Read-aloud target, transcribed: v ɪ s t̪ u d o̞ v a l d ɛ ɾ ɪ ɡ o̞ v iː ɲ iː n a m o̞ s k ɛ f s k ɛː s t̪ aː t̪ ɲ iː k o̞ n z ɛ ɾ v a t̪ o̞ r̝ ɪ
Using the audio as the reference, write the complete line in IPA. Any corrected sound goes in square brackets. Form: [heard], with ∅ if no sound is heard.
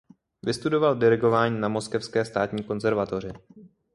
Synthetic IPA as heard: v ɪ s t̪ u d o̞ v a l d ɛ ɾ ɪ ɡ o̞ v [aː] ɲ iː n a m o̞ s k ɛ f s k ɛː s t̪ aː t̪ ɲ iː k o̞ n z ɛ ɾ v a t̪ o̞ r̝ ɪ